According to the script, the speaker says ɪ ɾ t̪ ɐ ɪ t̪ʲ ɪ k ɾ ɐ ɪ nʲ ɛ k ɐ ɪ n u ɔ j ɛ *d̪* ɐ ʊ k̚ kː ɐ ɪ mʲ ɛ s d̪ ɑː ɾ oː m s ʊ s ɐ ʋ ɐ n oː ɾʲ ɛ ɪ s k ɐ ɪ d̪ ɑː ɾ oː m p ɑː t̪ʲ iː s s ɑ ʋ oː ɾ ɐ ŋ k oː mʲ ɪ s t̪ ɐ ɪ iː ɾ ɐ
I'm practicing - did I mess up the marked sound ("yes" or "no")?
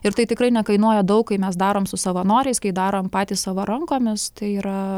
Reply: no